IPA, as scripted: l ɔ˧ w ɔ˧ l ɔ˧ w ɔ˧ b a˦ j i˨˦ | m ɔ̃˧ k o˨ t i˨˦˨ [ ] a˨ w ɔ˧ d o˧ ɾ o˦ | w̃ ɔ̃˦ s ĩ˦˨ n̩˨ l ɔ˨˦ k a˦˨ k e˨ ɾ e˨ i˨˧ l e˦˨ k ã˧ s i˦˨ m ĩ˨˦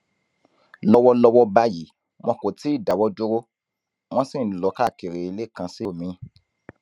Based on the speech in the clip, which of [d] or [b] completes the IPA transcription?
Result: d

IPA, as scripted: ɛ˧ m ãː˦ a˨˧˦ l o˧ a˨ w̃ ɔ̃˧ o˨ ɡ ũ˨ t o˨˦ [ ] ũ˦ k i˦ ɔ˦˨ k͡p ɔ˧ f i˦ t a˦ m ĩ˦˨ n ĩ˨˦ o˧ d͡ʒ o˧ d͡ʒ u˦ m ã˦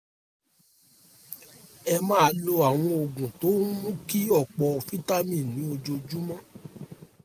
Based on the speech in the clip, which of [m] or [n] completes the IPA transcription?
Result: m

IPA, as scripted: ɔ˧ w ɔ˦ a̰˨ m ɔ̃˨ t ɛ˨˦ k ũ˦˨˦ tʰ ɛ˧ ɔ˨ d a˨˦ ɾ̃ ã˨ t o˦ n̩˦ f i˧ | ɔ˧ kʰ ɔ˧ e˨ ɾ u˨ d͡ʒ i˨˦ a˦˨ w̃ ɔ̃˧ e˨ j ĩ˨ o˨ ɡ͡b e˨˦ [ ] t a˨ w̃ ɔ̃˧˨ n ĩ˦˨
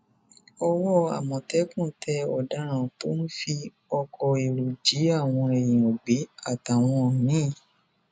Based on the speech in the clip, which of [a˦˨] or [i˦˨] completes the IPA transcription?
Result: a˦˨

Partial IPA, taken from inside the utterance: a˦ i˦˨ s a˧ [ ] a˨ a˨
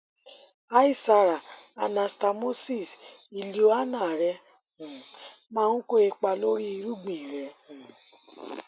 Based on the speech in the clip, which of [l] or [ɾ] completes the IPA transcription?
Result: ɾ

